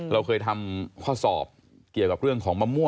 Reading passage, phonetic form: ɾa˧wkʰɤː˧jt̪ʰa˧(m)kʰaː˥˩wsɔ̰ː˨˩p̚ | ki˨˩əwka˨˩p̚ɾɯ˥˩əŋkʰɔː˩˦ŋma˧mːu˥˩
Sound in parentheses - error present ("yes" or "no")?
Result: no